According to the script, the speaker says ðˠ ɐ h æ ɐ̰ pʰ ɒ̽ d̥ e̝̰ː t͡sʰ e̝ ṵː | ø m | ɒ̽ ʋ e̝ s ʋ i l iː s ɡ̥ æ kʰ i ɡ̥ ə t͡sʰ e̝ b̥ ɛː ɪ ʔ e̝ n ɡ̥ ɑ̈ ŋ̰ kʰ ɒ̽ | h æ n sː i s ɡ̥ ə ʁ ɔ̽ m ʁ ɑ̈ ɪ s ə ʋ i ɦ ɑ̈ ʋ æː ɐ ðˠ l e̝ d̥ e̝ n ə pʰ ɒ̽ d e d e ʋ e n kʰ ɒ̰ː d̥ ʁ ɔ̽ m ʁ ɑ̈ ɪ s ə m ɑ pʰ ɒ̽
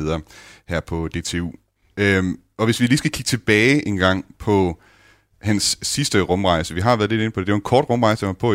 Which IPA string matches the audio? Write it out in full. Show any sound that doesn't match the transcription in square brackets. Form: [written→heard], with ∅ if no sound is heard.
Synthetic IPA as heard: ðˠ ɐ h æ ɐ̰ pʰ ɒ̽ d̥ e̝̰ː t͡sʰ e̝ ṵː | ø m | ɒ̽ ʋ e̝ s ʋ i l iː s ɡ̥ æ kʰ i ɡ̥ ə t͡sʰ e̝ b̥ ɛː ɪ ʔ e̝ n ɡ̥ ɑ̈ ŋ̰ [kʰ→pʰ] ɒ̽ | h æ n sː i s [ɡ̥→d̥] ə ʁ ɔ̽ m ʁ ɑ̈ ɪ s ə ʋ i ɦ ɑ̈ ʋ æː ɐ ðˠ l e̝ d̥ e̝ n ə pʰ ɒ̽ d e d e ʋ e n kʰ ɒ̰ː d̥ ʁ ɔ̽ m ʁ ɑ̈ ɪ s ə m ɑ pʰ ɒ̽